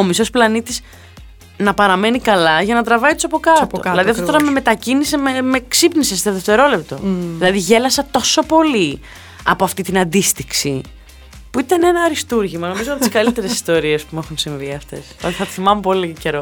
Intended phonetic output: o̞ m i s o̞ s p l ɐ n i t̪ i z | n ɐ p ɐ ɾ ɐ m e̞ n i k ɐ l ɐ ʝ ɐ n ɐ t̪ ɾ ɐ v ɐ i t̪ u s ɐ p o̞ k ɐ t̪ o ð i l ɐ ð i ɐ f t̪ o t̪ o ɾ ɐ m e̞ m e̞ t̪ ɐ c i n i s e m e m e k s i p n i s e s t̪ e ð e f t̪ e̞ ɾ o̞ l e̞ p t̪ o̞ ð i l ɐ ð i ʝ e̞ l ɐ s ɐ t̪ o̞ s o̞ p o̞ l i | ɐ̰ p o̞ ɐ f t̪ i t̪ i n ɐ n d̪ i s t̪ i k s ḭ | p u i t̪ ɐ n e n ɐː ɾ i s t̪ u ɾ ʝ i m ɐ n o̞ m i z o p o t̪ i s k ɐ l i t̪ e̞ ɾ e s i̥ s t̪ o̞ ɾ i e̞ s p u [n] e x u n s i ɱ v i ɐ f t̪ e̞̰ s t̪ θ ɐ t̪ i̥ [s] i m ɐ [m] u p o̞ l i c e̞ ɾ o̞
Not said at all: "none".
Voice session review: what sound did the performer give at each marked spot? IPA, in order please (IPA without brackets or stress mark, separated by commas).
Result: m, θ, m